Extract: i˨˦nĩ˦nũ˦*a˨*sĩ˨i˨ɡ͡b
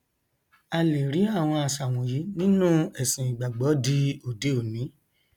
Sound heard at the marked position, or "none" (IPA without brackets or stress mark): ɛ˨